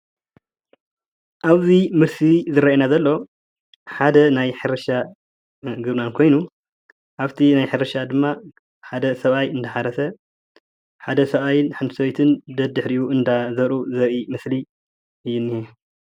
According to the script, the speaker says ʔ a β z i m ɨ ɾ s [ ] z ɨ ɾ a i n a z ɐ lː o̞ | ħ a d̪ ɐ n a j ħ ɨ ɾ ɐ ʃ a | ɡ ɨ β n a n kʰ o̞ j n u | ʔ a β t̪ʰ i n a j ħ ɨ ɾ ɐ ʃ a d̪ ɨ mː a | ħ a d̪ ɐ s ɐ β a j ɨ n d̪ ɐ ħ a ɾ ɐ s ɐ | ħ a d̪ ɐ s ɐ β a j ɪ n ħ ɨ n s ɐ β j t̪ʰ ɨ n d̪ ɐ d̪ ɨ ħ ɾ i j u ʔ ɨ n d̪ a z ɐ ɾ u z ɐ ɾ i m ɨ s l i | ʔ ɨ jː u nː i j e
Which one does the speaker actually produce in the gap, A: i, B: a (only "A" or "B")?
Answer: A